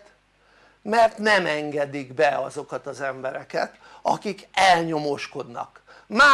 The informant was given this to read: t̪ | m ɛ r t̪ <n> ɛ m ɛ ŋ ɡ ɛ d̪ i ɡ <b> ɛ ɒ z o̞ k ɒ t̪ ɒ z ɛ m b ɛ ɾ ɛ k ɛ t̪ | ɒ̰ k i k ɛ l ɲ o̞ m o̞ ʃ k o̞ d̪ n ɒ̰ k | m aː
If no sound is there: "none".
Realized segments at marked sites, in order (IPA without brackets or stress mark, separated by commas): n, b